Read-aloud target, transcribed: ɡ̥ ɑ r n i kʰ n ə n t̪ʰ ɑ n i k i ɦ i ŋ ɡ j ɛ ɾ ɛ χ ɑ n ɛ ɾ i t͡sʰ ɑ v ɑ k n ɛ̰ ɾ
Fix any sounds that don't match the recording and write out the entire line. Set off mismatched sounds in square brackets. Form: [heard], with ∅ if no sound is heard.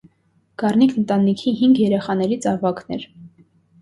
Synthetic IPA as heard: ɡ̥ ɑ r n i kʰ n ə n [t̪] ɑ n i [kʰ] i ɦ i ŋ ɡ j ɛ ɾ ɛ χ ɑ n ɛ ɾ i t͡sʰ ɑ v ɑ k n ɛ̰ ɾ